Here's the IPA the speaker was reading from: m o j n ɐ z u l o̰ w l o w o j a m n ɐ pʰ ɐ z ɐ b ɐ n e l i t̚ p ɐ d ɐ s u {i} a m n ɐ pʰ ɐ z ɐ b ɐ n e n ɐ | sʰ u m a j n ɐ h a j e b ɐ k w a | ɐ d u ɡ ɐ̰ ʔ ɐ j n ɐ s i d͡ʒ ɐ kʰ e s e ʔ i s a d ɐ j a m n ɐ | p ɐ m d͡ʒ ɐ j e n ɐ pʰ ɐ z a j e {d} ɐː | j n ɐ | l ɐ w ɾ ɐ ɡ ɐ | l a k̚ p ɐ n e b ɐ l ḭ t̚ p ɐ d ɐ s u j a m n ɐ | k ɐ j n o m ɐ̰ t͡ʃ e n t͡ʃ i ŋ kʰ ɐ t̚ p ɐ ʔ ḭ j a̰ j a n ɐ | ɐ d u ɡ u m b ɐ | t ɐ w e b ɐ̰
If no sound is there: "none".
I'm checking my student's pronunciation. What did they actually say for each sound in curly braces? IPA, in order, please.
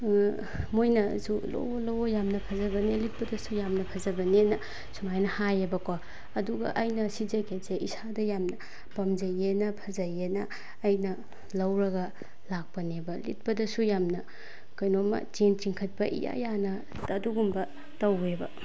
j, n

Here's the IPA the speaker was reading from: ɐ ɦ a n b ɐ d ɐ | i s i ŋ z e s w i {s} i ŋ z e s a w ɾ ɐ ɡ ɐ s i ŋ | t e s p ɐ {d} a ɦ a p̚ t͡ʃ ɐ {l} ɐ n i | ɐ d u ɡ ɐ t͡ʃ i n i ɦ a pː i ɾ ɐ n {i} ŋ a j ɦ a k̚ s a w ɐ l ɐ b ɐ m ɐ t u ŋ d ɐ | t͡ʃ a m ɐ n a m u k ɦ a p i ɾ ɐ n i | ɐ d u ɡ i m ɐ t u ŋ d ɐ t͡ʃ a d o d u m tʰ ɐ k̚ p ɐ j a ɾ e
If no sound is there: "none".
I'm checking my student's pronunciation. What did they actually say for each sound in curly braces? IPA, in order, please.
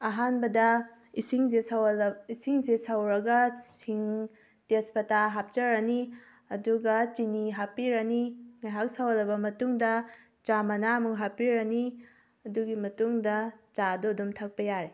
s, t, ɾ, i

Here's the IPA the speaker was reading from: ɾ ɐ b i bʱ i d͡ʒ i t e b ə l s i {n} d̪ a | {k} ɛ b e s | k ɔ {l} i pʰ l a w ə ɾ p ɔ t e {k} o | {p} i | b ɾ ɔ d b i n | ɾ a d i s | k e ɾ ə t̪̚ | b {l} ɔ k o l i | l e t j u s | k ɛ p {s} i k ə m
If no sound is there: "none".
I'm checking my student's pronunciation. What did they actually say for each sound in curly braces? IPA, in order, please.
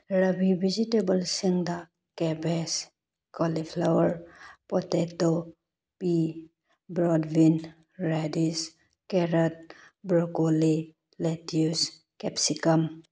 ŋ, k, l, t, p, ɾ, s

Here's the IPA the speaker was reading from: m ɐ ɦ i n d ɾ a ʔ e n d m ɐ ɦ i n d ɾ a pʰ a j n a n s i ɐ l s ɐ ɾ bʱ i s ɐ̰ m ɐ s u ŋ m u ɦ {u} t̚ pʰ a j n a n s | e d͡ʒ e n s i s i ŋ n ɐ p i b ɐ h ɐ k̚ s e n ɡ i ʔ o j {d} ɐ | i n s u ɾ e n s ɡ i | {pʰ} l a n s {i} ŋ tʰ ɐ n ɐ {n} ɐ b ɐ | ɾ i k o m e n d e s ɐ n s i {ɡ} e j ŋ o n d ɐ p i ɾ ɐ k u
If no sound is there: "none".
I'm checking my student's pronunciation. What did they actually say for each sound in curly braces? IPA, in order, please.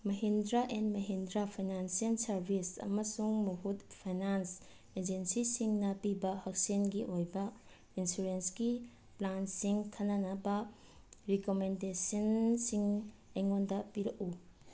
u, b, p, i, n, ŋ

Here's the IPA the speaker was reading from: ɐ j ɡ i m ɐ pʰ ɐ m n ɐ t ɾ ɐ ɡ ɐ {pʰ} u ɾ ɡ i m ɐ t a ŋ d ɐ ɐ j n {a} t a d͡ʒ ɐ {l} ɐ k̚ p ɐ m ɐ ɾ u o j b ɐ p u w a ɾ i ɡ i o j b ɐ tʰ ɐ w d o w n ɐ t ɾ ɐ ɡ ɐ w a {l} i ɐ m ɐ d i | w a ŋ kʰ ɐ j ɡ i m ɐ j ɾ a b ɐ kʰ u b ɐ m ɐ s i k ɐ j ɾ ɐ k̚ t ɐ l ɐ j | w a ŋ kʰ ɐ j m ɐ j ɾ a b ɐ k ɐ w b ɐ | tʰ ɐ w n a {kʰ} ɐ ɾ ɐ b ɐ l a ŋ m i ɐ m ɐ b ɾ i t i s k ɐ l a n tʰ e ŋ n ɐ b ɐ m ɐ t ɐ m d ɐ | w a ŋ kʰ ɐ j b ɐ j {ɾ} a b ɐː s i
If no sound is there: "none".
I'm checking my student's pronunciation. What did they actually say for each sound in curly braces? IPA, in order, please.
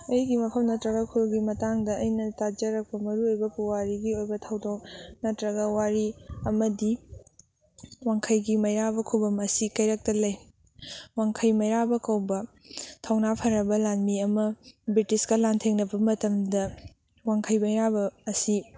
kʰ, ɐ, ɾ, ɾ, pʰ, ɾ

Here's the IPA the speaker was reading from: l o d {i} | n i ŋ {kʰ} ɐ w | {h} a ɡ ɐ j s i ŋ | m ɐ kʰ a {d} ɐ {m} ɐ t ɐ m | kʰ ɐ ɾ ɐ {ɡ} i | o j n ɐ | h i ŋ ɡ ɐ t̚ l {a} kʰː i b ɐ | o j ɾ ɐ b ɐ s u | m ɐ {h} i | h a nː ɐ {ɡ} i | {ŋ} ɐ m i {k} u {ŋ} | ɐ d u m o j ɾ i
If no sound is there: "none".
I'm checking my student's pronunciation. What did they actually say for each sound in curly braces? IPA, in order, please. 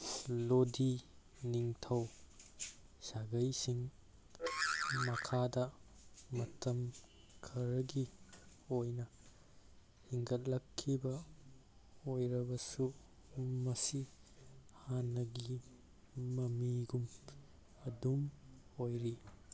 i, tʰ, s, d, m, ɡ, ɐ, s, ɡ, m, ɡ, m

